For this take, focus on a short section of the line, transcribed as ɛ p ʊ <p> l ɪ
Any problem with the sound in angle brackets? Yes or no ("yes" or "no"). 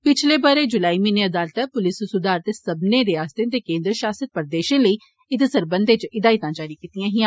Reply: yes